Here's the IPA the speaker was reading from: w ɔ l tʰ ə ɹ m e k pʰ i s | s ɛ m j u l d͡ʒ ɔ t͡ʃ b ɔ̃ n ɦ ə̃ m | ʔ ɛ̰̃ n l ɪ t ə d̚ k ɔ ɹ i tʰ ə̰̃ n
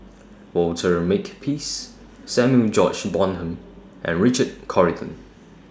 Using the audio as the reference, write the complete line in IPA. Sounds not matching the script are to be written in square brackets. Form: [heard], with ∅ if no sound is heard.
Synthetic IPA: w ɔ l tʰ ə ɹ m e k pʰ i s | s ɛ m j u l d͡ʒ ɔ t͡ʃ b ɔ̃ n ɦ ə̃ m | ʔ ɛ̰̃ n [ɹ] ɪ [t͡ʃ] ə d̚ [kʰ] ɔ ɹ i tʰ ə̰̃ n

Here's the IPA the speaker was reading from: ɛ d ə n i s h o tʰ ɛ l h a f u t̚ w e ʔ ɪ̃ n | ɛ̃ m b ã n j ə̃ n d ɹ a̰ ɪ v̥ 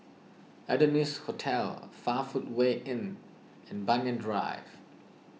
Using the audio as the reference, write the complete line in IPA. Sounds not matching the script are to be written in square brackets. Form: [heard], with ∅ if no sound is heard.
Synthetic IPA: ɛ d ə n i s h o tʰ ɛ l [f] a f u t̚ w e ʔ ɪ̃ n | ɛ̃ [n] b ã n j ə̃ n d ɹ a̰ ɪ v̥

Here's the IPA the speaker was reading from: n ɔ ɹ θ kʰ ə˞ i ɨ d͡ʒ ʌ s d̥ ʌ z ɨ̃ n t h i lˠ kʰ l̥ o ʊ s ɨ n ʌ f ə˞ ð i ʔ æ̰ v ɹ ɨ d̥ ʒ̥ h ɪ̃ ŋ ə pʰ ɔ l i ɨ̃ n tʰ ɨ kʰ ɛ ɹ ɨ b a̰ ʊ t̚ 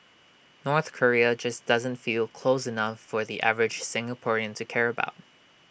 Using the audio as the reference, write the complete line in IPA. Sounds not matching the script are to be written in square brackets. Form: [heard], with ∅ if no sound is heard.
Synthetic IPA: n ɔ ɹ θ kʰ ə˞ i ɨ d͡ʒ ʌ s d̥ ʌ z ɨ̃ n t [f] i lˠ kʰ l̥ o ʊ s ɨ n ʌ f ə˞ ð i ʔ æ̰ v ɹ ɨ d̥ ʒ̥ [s] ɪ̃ ŋ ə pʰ ɔ [ɹ] i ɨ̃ n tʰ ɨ kʰ ɛ ɹ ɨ b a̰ ʊ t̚

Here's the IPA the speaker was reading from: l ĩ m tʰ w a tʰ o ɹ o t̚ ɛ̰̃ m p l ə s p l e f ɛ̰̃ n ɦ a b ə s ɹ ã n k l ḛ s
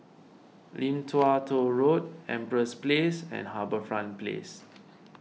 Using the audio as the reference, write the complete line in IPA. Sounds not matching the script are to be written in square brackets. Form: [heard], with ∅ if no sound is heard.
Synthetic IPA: l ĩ m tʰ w a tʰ o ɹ o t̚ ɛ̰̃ m p [ɹ] ə s p l e [s] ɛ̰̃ n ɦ a b ə [f] ɹ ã n [p] l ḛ s

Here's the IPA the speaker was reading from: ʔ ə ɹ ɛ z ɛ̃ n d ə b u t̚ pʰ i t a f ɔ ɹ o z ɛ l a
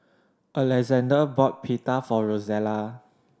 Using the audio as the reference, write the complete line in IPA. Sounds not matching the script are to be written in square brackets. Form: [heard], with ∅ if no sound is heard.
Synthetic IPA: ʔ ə [l] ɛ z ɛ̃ n d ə b [ɔ] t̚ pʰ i t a f ɔ ɹ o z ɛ l a

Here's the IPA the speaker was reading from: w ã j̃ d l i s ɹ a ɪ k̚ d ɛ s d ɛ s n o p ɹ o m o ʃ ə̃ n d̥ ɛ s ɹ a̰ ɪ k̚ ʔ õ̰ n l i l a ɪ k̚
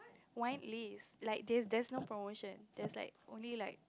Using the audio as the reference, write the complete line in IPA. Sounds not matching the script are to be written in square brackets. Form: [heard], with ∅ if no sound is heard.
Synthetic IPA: w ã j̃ [n] l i s [l] a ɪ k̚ d ɛ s d ɛ s n o p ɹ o m o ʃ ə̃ n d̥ ɛ s [l] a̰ ɪ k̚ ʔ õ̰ n l i l a ɪ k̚

